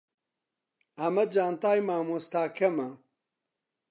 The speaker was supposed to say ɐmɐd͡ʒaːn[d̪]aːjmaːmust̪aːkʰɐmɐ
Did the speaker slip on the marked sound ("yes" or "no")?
yes